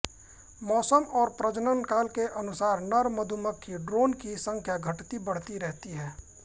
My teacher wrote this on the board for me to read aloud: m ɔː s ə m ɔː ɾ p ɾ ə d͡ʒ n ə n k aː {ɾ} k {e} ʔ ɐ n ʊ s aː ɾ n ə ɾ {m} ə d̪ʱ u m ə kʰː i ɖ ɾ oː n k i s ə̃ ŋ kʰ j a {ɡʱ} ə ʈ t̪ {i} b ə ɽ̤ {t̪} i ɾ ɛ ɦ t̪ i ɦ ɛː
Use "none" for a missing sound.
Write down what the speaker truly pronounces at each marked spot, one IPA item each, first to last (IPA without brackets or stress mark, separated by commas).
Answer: l, e, m, ɡʱ, i, t̪